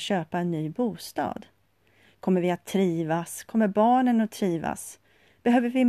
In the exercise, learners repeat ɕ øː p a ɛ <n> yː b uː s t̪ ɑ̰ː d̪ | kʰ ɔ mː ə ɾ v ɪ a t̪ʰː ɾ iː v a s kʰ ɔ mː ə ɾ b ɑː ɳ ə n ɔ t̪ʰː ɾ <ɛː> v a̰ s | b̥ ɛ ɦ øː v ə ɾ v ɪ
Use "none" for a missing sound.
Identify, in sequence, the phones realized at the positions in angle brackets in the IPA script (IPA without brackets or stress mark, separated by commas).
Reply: nː, iː